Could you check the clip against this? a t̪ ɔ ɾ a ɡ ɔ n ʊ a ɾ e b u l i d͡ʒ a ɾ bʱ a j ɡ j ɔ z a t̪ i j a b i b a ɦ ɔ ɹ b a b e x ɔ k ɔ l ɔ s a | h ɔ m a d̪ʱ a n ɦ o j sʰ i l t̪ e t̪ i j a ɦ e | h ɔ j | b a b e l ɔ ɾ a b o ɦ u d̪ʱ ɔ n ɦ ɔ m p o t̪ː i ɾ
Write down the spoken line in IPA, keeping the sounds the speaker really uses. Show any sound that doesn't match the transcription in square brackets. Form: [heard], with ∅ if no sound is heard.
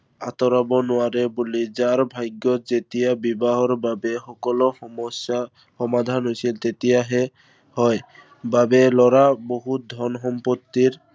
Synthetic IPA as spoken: a t̪ ɔ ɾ a [b] ɔ n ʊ a ɾ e b u l i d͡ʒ a ɾ bʱ a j ɡ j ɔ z [e] t̪ i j a b i b a ɦ ɔ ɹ b a b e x ɔ k ɔ l ɔ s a | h ɔ m a d̪ʱ a n ɦ o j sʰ i l t̪ e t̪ i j a ɦ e | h ɔ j | b a b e l ɔ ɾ a b o ɦ u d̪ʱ ɔ n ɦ ɔ m p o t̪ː i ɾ